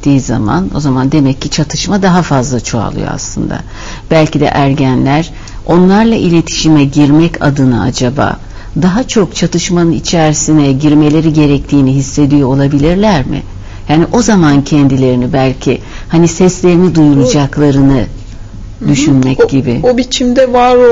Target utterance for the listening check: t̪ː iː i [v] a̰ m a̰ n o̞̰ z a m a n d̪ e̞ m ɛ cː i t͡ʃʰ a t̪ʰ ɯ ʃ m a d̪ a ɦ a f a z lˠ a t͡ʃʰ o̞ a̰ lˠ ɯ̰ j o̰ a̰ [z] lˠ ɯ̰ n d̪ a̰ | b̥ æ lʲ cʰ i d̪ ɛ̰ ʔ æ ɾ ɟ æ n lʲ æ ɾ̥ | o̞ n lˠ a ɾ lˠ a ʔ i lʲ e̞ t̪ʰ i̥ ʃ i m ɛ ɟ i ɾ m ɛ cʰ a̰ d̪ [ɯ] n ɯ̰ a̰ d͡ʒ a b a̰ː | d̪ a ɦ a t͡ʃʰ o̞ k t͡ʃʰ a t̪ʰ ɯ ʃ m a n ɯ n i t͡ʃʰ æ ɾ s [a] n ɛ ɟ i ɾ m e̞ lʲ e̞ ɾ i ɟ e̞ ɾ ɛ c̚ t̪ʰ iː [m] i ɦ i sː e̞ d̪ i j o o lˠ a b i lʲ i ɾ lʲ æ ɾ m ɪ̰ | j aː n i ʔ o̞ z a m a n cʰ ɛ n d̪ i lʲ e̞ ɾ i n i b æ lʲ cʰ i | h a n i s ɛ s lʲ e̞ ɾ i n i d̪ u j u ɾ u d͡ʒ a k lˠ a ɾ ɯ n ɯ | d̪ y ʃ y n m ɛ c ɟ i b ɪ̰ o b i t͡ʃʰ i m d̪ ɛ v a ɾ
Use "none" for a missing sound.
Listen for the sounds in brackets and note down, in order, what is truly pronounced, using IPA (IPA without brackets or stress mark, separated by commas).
z, s, ɯ, i, n